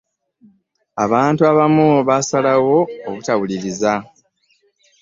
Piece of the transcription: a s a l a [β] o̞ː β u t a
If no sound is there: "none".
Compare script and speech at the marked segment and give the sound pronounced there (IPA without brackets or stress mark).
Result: w